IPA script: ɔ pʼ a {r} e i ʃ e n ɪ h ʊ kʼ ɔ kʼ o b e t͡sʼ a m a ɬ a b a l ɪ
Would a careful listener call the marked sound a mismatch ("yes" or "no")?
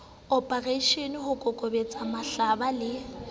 no